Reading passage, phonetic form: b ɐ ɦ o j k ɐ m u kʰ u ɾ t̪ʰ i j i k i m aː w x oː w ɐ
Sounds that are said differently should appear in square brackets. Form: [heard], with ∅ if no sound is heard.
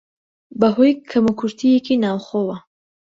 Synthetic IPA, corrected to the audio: b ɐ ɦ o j [kʰ] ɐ m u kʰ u ɾ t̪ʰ i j [e] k i [n] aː w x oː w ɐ